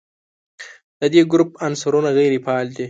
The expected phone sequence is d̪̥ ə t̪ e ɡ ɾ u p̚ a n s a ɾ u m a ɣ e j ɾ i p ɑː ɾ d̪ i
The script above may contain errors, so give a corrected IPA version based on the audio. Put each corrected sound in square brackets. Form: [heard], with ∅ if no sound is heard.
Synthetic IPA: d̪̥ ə [d̪] e ɡ ɾ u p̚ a n s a ɾ u [n] a ɣ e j ɾ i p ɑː [l] d̪ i